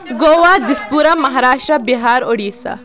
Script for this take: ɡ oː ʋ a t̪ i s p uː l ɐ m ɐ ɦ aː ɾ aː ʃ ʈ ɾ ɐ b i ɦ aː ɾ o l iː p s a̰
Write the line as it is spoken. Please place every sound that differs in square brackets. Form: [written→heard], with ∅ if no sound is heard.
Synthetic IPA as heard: ɡ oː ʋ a [t̪→d̪] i s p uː [l→ɾ] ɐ m ɐ ɦ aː ɾ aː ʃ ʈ ɾ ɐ b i ɦ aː ɾ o [l→ɽ] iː [p→∅] s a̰